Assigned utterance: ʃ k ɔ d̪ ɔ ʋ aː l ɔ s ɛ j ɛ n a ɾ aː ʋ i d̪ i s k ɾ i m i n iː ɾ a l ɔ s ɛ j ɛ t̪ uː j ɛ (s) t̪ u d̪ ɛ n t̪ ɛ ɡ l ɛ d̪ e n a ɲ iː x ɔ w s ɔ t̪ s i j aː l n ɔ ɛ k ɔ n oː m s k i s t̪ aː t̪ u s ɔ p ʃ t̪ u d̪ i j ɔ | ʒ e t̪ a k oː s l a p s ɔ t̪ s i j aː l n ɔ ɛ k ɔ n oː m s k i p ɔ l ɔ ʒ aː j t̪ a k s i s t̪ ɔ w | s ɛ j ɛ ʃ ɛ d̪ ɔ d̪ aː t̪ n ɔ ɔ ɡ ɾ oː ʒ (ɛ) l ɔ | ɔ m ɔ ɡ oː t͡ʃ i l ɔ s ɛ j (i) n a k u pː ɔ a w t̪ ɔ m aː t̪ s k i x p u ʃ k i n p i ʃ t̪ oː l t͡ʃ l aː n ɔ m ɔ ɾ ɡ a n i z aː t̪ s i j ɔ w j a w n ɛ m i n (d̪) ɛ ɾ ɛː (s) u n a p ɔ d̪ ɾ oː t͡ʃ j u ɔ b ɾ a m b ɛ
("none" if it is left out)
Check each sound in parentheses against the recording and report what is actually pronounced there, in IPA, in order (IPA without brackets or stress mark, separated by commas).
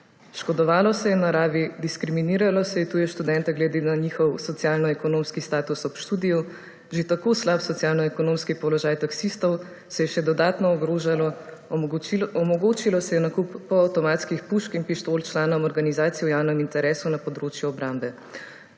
ʃ, a, ɛ, t̪, s